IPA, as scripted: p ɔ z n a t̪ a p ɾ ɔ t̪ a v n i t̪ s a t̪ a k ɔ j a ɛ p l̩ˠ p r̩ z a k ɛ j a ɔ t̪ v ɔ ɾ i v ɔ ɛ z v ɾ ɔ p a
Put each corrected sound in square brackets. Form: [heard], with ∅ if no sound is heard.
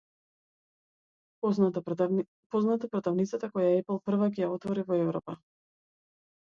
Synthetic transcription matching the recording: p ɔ z n a t̪ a p ɾ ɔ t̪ a v n i t̪ s a t̪ a k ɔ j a ɛ p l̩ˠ p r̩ [v] a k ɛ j a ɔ t̪ v ɔ ɾ i v ɔ ɛ [∅] v ɾ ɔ p a